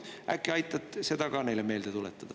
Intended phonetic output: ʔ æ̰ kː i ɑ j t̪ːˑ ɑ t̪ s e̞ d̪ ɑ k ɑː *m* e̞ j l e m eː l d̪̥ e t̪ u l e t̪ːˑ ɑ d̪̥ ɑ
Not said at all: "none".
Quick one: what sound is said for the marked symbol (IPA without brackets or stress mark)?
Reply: n